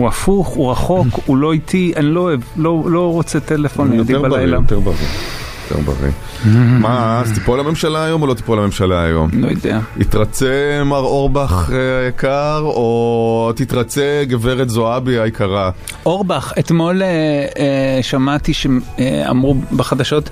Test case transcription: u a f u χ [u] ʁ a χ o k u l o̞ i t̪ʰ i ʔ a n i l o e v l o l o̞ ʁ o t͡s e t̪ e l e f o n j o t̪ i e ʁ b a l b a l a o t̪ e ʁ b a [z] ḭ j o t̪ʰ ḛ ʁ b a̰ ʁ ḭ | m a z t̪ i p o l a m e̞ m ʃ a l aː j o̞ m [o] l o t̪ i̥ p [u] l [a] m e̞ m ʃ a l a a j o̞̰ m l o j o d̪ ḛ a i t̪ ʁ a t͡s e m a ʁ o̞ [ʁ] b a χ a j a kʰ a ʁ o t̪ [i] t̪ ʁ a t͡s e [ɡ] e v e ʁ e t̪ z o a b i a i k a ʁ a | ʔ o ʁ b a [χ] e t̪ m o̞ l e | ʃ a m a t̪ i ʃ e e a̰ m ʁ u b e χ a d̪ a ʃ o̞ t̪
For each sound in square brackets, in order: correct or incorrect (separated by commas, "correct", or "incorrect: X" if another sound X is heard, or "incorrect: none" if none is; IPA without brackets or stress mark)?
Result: correct, incorrect: ʁ, correct, incorrect: o, correct, correct, correct, correct, correct